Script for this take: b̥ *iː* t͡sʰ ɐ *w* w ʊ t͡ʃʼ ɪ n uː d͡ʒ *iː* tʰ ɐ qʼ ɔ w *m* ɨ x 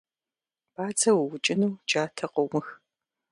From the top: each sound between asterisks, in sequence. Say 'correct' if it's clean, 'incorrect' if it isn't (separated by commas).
incorrect, correct, incorrect, correct